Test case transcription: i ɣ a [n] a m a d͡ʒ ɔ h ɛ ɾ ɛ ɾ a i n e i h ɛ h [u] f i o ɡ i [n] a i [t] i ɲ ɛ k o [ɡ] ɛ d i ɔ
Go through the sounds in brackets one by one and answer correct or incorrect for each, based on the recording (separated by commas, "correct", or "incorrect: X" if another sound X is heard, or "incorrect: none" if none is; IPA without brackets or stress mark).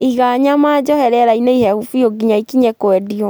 incorrect: ɲ, correct, incorrect: ɲ, incorrect: k, incorrect: none